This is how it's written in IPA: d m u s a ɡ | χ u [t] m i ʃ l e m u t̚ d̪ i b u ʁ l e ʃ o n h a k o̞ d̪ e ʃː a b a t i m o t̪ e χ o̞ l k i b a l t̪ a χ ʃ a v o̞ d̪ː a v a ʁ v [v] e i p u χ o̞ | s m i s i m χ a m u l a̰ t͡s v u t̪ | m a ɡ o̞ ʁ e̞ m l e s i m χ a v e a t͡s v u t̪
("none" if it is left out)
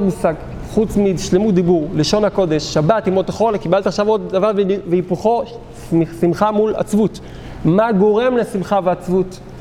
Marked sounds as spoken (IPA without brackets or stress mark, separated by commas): t͡s, v